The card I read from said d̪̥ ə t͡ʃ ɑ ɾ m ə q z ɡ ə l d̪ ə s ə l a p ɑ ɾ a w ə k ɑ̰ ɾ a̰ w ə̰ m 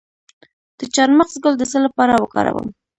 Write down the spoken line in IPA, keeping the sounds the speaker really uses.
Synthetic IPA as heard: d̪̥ ə t͡ʃ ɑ ɾ m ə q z ɡ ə l d̪ ə s ə l a p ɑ ɾ a w ə k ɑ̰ ɾ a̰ w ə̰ m